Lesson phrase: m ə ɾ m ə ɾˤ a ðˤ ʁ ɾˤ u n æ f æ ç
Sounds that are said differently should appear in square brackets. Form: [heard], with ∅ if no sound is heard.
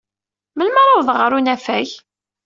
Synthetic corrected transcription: m ə [l] m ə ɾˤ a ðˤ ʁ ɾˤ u n æ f æ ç

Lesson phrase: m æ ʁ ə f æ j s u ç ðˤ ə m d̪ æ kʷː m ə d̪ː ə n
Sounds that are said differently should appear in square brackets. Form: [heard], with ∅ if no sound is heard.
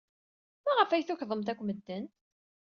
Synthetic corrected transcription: m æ ʁ ə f æ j [θ] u ç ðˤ ə m [t̪] æ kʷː m ə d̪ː ə n

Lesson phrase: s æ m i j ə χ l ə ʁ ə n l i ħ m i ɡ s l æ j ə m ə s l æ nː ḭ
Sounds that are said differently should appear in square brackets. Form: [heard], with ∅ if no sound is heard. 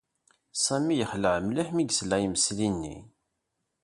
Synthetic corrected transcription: s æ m i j ə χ l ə [ʕ] ə [m] l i ħ m i ɡ s l æ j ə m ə s l [i] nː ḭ

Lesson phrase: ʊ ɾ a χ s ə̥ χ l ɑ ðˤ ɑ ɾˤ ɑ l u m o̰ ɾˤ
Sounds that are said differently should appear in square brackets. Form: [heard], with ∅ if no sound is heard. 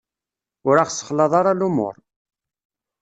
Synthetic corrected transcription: ʊ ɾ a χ s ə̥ χ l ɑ ðˤ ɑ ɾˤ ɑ l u m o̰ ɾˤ

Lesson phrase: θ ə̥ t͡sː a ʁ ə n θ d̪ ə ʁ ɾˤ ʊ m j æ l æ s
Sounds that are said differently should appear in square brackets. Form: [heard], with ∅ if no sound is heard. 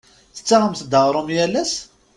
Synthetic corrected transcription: θ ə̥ t͡sː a ʁ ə [m] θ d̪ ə ʁ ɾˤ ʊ m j æ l æ s

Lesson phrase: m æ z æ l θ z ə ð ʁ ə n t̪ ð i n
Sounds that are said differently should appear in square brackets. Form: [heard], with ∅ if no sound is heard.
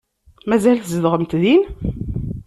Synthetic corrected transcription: m æ z æ l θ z ə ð ʁ ə [m] t̪ ð i n

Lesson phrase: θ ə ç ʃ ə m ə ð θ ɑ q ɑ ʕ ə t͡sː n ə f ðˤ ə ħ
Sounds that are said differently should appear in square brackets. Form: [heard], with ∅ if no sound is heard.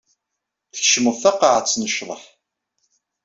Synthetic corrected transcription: θ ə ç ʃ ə m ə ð θ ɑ q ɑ ʕ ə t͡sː n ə [ʃ] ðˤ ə ħ

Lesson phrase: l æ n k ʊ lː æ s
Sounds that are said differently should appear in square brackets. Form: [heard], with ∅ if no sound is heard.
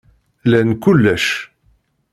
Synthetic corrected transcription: l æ n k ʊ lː æ [ʃ]

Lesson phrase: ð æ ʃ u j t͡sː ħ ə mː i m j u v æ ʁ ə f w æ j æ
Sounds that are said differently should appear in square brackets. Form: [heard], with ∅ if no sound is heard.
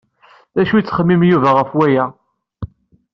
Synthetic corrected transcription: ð æ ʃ u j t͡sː [χ] ə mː i m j u v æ ʁ ə f w æ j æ

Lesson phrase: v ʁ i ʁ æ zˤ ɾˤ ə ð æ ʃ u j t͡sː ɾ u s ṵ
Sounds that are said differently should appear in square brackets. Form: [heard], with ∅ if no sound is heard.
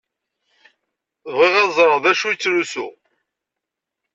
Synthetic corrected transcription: v ʁ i ʁ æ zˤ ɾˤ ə ð æ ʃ u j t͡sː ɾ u s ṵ

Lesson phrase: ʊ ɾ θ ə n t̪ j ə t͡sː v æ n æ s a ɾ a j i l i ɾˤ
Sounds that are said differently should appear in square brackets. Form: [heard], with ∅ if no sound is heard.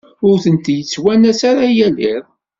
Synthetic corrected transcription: ʊ ɾ θ ə n t̪ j ə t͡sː [w] æ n æ s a ɾ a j [æ] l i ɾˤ

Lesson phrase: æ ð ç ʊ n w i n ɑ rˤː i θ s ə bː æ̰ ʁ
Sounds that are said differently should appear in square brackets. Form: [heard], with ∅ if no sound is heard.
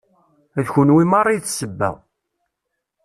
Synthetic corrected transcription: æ ð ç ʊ n w i [m] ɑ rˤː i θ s ə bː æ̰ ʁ

